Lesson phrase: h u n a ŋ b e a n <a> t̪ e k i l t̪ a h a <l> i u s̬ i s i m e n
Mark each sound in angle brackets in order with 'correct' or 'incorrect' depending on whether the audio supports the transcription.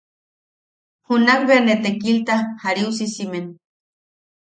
incorrect, incorrect

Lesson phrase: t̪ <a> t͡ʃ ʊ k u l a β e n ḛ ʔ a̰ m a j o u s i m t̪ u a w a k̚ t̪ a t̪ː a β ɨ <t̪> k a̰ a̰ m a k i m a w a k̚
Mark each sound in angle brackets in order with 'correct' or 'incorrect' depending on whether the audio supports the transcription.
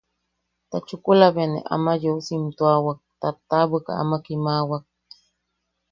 correct, incorrect

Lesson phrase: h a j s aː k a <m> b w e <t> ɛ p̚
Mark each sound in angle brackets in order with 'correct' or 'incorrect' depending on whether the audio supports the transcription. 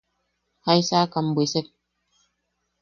correct, incorrect

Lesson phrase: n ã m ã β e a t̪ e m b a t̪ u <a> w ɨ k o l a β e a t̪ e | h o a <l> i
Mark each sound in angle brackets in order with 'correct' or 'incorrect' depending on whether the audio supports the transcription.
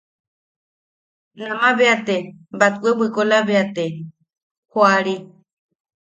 incorrect, incorrect

